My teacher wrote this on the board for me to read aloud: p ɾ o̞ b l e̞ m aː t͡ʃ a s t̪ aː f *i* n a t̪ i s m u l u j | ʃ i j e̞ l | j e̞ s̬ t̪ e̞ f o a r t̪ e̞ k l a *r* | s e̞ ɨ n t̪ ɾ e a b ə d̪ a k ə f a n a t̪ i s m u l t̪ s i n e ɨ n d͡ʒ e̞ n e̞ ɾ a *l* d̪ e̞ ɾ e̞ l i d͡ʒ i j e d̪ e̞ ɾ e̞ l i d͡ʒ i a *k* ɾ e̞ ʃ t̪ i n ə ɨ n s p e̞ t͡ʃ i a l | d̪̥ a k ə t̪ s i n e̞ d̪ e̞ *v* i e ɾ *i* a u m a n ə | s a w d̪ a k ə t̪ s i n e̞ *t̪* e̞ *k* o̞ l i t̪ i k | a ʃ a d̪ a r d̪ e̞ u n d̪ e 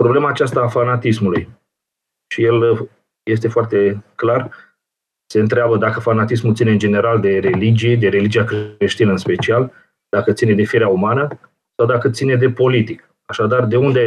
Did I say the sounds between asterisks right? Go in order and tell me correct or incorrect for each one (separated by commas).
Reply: incorrect, correct, correct, correct, incorrect, incorrect, incorrect, incorrect